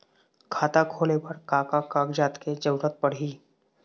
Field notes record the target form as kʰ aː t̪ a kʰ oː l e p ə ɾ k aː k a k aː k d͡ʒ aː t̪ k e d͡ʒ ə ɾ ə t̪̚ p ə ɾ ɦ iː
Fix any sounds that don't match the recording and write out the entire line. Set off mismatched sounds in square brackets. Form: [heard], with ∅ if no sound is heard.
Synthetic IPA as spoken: kʰ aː t̪ a kʰ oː l e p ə ɾ k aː k a k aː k d͡ʒ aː t̪ k e d͡ʒ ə ɾ ə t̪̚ p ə [ɽ] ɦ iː